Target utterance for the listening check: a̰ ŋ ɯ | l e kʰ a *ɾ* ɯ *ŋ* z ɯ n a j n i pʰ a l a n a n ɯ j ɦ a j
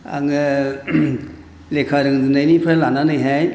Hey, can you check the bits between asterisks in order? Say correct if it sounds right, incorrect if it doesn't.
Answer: correct, correct

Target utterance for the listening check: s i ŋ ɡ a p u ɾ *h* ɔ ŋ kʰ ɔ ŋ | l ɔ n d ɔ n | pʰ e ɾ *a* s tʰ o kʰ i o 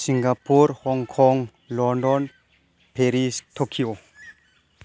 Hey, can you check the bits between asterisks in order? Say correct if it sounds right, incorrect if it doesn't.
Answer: correct, incorrect

